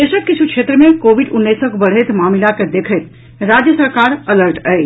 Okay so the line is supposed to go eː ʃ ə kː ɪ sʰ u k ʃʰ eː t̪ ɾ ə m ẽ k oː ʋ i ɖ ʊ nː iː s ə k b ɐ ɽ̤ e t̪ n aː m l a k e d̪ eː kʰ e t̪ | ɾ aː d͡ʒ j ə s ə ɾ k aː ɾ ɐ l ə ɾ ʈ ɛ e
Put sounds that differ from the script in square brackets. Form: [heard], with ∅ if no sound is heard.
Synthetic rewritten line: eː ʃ ə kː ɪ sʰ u k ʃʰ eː t̪ ɾ ə m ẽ k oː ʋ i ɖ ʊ nː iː s ə k b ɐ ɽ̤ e t̪ [m] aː m l a k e d̪ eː kʰ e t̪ | ɾ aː d͡ʒ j ə s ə ɾ k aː ɾ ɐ l ə ɾ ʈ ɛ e